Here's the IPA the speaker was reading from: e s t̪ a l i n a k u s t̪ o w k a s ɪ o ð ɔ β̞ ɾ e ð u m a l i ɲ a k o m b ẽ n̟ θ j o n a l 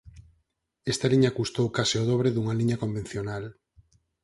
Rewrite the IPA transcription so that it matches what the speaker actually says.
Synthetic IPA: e s t̪ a l i ɲ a k u s t̪ o w k a s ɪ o ð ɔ β̞ ɾ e ð u ŋ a l i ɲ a k o m b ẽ n̟ θ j o n a l